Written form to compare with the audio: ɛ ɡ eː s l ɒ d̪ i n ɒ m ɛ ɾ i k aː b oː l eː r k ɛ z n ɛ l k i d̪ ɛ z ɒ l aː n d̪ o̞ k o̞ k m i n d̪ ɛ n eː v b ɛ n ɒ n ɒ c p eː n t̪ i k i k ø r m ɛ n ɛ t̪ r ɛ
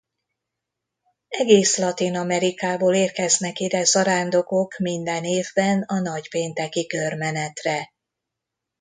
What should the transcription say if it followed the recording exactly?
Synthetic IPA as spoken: ɛ ɡ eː s l ɒ t̪ i n ɒ m ɛ ɾ i k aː b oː l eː r k ɛ z n ɛ k i d̪ ɛ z ɒ ɾ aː n d̪ o̞ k o̞ k m i n d̪ ɛ n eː v b ɛ n ɒ n ɒ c p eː n t̪ ɛ k i k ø r m ɛ n ɛ t̪ r ɛ